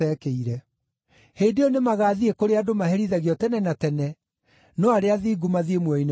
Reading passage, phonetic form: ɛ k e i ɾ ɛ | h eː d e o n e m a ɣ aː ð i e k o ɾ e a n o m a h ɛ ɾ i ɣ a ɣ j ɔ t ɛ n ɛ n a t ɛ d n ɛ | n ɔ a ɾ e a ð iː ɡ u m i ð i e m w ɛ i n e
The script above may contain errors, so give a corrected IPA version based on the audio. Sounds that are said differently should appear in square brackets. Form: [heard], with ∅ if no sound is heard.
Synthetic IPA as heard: ɛ k e i ɾ ɛ | h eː d e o n e m a ɣ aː ð i e k o ɾ e a [d] o m a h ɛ ɾ i [ð] a ɣ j ɔ t ɛ n ɛ n a t ɛ [∅] n ɛ | n ɔ a ɾ e a ð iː ɡ u m [a] ð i e m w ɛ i n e